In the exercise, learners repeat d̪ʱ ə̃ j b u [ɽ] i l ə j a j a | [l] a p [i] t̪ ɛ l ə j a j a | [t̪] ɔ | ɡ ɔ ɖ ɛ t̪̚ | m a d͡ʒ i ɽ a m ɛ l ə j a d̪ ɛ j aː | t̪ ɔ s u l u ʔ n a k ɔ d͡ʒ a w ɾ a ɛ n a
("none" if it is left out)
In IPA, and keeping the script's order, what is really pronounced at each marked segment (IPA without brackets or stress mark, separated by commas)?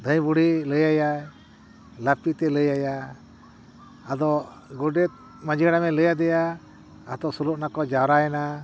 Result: ɽ, l, i, d̪